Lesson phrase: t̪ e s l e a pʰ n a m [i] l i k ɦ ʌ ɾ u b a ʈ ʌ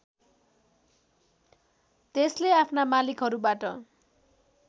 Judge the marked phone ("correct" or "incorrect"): incorrect